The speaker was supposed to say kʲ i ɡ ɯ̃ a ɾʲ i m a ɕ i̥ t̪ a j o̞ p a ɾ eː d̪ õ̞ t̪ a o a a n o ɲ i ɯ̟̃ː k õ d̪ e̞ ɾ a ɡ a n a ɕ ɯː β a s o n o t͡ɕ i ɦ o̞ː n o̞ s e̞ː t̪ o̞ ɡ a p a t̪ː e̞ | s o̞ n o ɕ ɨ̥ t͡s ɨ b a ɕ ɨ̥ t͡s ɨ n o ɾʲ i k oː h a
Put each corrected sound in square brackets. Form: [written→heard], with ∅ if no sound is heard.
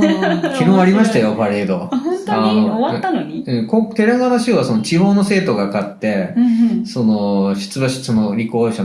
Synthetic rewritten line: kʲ i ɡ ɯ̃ a ɾʲ i m a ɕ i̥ t̪ a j o̞ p a ɾ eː d̪ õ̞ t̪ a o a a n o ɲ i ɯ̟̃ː k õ [d̪→t̪] e̞ ɾ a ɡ a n a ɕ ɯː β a s o n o t͡ɕ i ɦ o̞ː n o̞ s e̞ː t̪ o̞ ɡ a [p→k] a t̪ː e̞ | s o̞ n o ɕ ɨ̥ t͡s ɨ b a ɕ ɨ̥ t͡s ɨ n o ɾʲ i k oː [h→ɕ] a